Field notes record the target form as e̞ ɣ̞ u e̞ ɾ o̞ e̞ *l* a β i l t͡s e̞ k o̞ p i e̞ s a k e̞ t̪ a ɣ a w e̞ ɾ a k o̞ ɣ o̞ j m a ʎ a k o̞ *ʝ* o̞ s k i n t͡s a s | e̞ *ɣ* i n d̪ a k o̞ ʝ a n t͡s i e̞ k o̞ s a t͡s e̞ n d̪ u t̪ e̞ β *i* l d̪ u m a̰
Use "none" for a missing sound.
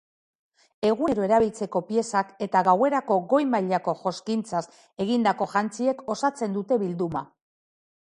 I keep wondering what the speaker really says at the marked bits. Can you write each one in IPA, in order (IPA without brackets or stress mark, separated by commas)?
ɾ, ʝ, ɣ, i